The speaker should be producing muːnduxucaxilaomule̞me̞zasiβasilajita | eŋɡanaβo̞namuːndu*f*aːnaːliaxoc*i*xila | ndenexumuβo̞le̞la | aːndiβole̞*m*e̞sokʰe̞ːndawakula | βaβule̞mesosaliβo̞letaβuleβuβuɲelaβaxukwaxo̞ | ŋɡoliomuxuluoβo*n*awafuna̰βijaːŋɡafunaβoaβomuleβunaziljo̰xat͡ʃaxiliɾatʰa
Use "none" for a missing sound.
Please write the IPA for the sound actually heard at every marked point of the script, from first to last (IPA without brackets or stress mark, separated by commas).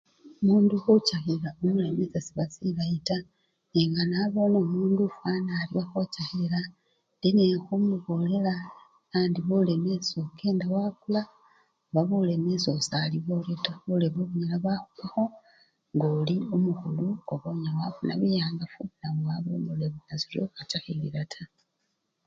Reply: f, a, m, ɲ